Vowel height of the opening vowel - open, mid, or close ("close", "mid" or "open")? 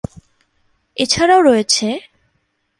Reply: mid